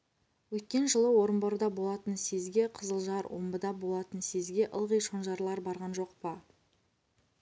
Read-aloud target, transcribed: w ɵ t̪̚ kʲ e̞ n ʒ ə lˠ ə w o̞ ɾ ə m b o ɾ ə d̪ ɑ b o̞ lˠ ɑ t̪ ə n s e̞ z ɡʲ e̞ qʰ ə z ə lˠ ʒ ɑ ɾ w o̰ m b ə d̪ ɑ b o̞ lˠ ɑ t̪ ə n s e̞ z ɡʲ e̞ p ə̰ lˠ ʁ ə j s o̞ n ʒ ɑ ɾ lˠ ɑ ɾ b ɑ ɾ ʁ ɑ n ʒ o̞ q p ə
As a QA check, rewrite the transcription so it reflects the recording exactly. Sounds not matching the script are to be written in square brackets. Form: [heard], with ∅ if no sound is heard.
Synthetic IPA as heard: w ɵ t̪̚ kʲ e̞ n ʒ ə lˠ ə w o̞ ɾ ə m b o ɾ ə d̪ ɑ b o̞ lˠ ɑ t̪ ə n s e̞ z ɡʲ e̞ qʰ ə z ə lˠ ʒ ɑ ɾ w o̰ m b ə d̪ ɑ b o̞ lˠ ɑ t̪ ə n s e̞ z ɡʲ e̞ [ʔ] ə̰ lˠ ʁ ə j [ʃ] o̞ n ʒ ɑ ɾ lˠ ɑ ɾ b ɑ ɾ ʁ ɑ n ʒ o̞ q p ə